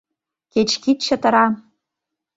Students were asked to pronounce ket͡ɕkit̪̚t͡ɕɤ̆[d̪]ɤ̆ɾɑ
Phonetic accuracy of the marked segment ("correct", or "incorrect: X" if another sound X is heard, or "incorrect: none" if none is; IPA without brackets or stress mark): incorrect: t̪